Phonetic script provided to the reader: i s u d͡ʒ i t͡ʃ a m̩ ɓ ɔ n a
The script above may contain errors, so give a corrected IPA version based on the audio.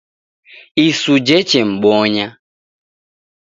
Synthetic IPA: i s u d͡ʒ ɛ t͡ʃ ɛ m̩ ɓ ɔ ɲ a